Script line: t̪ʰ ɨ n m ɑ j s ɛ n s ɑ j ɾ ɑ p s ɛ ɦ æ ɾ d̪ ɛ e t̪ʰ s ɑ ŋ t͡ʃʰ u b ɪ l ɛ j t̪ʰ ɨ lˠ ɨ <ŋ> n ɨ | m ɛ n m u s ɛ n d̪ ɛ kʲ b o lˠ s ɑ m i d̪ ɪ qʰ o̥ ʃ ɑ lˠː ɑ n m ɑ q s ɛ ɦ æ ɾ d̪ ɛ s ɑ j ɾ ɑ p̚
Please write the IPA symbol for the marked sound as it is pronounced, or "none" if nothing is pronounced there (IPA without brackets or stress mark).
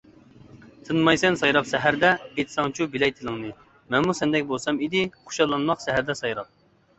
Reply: ŋ